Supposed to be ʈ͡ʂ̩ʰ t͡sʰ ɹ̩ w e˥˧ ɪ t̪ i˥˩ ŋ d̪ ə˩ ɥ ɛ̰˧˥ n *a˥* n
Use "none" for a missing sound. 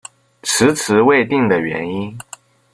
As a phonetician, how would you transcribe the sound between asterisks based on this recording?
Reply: i˥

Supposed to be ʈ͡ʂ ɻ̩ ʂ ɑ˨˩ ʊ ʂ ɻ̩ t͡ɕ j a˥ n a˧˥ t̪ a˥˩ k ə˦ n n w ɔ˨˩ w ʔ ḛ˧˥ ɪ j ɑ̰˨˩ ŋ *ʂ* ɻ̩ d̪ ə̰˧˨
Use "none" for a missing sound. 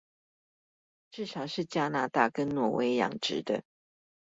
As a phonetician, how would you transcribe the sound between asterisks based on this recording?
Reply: ʈ͡ʂ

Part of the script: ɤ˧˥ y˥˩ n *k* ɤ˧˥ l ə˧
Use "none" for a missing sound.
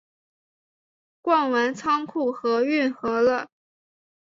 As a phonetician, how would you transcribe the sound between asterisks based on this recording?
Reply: x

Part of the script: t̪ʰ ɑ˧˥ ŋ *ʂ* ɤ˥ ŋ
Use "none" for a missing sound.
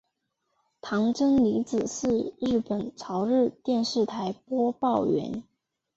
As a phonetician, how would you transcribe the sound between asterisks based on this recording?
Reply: ʈ͡ʂ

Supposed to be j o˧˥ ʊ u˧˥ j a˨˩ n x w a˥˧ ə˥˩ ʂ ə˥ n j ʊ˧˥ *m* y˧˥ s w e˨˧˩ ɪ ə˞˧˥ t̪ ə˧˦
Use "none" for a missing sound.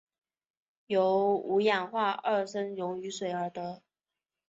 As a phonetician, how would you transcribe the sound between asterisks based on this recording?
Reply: ŋ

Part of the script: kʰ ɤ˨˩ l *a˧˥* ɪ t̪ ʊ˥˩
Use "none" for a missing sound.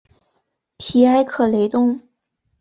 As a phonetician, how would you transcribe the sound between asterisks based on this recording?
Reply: e˧˥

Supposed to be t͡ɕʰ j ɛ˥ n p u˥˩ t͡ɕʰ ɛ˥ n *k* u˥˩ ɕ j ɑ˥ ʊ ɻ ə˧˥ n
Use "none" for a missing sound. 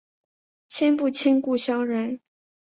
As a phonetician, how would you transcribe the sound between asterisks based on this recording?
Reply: k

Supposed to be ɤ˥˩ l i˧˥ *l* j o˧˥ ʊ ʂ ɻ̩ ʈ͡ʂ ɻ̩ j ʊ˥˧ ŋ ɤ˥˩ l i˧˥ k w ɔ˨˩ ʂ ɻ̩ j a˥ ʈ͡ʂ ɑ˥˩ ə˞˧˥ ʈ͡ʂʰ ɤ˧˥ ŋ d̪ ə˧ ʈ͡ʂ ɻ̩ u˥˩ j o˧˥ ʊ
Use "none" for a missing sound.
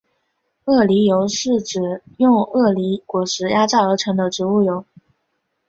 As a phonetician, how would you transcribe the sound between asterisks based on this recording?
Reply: none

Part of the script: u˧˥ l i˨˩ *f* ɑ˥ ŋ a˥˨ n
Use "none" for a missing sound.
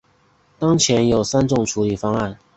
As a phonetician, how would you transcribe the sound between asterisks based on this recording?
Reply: f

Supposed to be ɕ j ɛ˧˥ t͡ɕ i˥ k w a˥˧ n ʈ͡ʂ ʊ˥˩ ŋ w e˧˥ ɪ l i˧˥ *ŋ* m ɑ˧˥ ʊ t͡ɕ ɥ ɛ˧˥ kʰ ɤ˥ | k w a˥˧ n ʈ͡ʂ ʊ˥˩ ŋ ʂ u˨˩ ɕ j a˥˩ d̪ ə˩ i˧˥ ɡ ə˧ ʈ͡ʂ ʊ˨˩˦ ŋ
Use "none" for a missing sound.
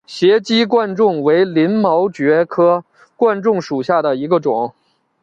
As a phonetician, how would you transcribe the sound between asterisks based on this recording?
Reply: n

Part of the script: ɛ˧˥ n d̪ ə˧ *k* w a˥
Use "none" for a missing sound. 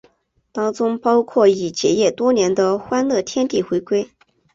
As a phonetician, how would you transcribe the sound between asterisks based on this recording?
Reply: x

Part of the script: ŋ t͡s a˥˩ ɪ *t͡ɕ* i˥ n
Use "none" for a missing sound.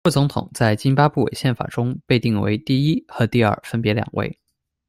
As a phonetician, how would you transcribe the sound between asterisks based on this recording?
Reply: t͡ɕ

